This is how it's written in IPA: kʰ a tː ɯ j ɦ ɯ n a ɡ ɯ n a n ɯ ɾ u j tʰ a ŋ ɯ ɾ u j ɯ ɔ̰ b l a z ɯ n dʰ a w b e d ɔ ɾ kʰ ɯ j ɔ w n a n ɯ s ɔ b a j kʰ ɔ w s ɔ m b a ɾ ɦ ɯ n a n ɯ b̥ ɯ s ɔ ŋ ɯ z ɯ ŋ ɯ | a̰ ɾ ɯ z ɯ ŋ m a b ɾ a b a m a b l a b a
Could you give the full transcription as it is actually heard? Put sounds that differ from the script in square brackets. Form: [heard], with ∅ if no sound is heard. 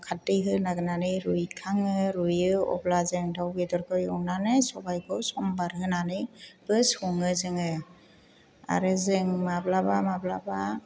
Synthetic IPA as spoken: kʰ a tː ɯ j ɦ ɯ n a ɡ ɯ n a n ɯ ɾ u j [kʰ] a ŋ ɯ ɾ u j ɯ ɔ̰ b l a z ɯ [ŋ] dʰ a w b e d ɔ ɾ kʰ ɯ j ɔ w n a n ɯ s ɔ b a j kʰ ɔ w s ɔ m b a ɾ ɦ ɯ n a n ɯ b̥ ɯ s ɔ ŋ ɯ z ɯ ŋ ɯ | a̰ ɾ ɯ z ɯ ŋ m a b [l] a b a m a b l a b a